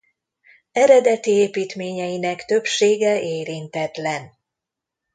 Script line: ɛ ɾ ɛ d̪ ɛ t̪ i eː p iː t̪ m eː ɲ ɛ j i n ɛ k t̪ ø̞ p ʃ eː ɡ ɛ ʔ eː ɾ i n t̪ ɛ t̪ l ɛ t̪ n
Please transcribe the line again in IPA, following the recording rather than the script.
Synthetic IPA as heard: ɛ ɾ ɛ d̪ ɛ t̪ i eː p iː t̪ m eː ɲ ɛ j i n ɛ k t̪ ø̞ p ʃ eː ɡ ɛ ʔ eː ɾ i n t̪ ɛ t̪ l ɛ n